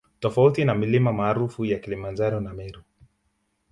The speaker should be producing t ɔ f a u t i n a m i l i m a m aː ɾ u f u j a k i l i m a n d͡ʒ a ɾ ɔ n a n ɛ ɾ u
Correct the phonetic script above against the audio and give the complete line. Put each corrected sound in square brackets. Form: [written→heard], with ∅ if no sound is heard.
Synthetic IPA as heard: t ɔ f a u t i n a m i l i m a m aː ɾ u f u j a k i l i m a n d͡ʒ a ɾ ɔ n a [n→m] ɛ ɾ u